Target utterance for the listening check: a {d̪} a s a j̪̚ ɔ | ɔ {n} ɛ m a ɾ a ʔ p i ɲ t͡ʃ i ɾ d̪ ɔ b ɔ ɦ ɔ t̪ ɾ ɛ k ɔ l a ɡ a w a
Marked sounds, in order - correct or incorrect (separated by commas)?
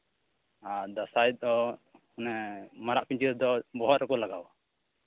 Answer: correct, correct